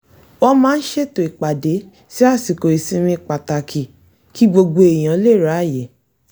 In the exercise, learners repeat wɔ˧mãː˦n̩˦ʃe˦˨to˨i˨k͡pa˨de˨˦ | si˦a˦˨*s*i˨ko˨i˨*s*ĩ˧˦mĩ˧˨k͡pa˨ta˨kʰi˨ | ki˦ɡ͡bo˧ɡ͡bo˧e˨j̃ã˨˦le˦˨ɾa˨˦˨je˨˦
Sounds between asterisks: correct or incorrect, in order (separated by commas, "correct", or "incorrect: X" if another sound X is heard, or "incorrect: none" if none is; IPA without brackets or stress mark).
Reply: correct, correct